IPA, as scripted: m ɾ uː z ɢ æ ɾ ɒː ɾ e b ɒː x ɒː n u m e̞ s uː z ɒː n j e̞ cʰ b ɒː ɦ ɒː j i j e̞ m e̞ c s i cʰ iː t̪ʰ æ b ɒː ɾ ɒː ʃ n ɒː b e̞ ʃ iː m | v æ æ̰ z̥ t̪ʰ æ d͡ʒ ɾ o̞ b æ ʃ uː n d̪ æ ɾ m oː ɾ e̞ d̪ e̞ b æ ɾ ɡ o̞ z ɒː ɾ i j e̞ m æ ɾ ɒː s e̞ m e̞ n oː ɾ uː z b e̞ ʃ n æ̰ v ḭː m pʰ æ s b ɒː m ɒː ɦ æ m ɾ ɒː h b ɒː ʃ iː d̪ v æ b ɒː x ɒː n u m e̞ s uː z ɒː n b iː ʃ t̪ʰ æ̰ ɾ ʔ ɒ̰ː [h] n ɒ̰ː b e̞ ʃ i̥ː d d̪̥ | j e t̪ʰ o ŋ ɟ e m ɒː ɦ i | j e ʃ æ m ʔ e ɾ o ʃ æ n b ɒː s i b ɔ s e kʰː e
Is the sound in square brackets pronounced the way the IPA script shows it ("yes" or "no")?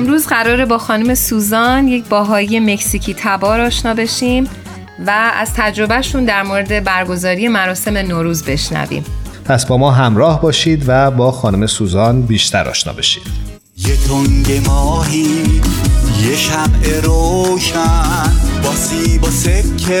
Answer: no